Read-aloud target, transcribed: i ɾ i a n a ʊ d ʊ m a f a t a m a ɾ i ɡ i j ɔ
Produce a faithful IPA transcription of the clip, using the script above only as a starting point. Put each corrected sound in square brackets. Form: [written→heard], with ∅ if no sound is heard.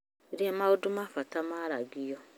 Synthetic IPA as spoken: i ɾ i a [n→m] a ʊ d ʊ m a f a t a m a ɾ [i→a] ɡ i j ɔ

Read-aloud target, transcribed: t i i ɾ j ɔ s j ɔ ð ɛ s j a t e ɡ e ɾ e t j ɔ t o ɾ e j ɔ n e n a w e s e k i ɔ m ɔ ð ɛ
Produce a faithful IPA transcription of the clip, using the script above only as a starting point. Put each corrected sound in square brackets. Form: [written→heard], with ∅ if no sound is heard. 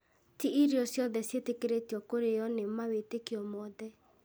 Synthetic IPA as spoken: t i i ɾ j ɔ s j ɔ ð ɛ s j [a→e] t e [ɡ→k] e ɾ e t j ɔ [t→k] o ɾ e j ɔ n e [n→m] a w e [s→t] e k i ɔ m ɔ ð ɛ

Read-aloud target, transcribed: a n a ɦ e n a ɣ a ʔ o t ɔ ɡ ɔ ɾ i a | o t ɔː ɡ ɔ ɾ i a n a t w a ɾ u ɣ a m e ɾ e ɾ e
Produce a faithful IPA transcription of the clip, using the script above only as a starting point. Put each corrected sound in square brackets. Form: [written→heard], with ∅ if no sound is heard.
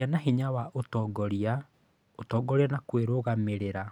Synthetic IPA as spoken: a n a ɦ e [n→ɲ] a [ɣ→w] a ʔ o t ɔ ɡ ɔ ɾ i a | o t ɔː ɡ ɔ ɾ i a n a [t→k] w [a→e] ɾ [u→o] ɣ a m e ɾ e ɾ [e→a]

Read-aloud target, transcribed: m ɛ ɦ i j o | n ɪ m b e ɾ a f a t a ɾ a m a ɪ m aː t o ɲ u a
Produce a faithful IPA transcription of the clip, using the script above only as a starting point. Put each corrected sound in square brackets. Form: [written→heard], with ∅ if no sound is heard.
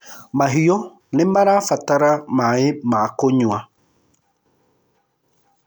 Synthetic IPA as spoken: m [ɛ→a] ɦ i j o | n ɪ m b [e→a] ɾ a f a t a ɾ a m a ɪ m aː [t→k] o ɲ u a

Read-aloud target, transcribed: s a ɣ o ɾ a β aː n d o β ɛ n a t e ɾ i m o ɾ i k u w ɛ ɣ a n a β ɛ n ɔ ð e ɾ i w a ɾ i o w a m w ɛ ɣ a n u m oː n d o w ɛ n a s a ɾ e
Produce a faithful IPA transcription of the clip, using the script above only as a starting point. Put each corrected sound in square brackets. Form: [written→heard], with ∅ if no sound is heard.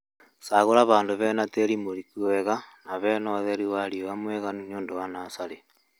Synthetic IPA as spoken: s a ɣ o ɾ a β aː n d o β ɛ n a t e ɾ i m o ɾ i k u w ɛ ɣ a n a β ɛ n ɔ ð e ɾ i w a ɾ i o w a m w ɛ ɣ a n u [m→ɲ] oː n d o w [ɛ→a] n a s a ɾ e

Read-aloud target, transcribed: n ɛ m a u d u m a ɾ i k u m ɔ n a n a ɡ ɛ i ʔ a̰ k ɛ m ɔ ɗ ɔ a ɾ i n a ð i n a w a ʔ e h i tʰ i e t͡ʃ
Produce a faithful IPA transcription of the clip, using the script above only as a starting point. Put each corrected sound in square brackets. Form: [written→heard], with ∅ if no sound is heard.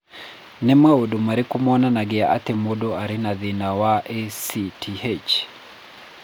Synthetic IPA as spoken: n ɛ m a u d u m a ɾ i k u m ɔ n a n a ɡ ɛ [i→a] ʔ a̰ [k→t] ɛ m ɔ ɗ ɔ a ɾ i n a ð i n a w a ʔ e [h→s] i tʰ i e t͡ʃ

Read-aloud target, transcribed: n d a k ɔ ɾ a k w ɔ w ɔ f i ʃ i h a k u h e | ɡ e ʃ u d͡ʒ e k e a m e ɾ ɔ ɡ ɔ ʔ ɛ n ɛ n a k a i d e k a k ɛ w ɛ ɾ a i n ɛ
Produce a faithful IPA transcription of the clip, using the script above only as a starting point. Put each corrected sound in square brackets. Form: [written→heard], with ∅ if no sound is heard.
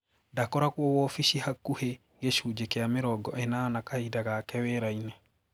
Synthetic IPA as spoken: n d a k ɔ ɾ a k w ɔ w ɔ f i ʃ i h a k u h e | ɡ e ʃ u d͡ʒ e k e a m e ɾ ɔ ɡ ɔ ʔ ɛ n [ɛ→a] n a k a i d [e→a] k a k ɛ w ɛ ɾ a i n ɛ

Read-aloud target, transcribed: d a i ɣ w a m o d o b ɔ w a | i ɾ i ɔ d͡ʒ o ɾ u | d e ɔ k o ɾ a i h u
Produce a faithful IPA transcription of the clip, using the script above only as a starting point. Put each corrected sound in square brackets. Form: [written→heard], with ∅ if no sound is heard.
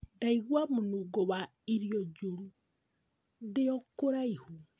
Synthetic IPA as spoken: d a i ɣ w a m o [d→n] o [b→ɡ] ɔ w a | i ɾ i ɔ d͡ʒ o ɾ u | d e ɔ k o ɾ a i h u

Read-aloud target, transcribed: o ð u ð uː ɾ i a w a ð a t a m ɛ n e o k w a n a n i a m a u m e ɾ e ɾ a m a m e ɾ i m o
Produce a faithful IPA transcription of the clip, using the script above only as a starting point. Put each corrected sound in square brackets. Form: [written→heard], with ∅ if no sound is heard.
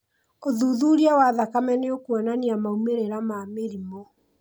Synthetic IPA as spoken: o ð u ð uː ɾ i a w a ð a [t→k] a m ɛ n e o k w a n a n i a m a u m e ɾ e ɾ a m a m e ɾ i m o

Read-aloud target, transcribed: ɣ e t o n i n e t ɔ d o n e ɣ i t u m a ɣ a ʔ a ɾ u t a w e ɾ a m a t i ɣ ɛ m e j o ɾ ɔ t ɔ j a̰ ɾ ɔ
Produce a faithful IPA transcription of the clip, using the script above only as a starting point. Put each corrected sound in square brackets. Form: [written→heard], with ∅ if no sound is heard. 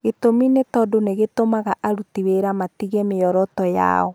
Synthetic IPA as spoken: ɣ e t o [n→m] i n e t ɔ d o n e ɣ [i→e] t [u→o] m a ɣ a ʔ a ɾ u t [a→i] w e ɾ a m a t i ɣ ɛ m e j [o→ɔ] ɾ ɔ t ɔ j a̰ [ɾ→∅] ɔ

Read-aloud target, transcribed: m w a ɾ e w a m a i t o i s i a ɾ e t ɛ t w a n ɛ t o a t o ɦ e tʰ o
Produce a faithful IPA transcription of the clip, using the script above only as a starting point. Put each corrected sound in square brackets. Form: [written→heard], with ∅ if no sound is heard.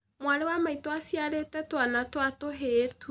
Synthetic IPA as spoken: m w a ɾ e w a m a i t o [i→a] s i a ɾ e t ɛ t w a n [ɛ→a] t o a t o ɦ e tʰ [o→u]

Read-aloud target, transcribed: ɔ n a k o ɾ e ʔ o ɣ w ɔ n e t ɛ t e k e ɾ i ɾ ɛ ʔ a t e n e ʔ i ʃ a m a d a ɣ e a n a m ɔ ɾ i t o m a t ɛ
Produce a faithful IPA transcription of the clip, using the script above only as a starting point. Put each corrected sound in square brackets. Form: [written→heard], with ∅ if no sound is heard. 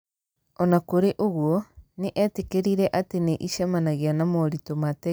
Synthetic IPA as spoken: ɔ n a k o ɾ e ʔ o ɣ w ɔ n e [t→ʔ] ɛ t e k e ɾ i ɾ ɛ ʔ a t e n e ʔ i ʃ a m a [d→n] a ɣ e a n a m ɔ ɾ i t o m a t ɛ

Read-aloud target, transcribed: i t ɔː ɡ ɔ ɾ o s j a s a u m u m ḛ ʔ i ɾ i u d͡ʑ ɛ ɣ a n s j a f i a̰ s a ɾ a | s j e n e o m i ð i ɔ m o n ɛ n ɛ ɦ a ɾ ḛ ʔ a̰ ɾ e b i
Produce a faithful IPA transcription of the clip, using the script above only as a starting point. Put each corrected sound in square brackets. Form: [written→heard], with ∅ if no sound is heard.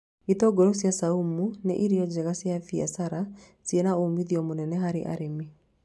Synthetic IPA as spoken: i t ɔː ɡ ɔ ɾ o s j a s a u m u [m→n] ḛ ʔ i ɾ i [u→ɔ] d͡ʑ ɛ ɣ a [n→∅] s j a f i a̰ s a ɾ a | s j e n [e→a] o m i ð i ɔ m o n ɛ n ɛ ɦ a ɾ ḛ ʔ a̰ ɾ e [b→m] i

